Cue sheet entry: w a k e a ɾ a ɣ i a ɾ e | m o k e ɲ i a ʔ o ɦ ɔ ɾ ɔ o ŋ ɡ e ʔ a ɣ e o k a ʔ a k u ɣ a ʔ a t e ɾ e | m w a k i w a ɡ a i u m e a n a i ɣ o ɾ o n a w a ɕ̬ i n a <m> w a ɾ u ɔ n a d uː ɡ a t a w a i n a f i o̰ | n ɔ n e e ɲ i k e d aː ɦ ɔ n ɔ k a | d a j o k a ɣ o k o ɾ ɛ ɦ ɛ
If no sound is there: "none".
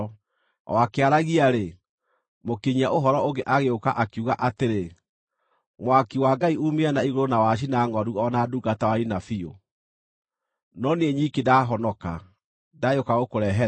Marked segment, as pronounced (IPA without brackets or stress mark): ŋ